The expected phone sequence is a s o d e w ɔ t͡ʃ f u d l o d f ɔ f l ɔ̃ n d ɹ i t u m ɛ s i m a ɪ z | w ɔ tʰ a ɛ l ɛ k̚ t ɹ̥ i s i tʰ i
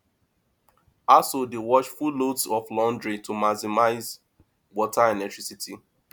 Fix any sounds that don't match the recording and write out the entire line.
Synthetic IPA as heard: a s o d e w ɔ t͡ʃ f u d l o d s ɔ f l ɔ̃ n d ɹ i t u m a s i m a ɪ z | w ɔ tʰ a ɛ l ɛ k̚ t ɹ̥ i s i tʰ i